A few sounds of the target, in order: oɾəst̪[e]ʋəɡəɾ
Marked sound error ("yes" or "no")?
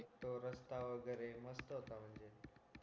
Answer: yes